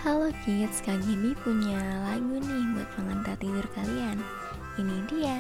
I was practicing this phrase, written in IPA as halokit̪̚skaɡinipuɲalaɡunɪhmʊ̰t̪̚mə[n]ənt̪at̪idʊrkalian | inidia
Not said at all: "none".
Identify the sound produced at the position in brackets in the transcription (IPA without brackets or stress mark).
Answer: ŋ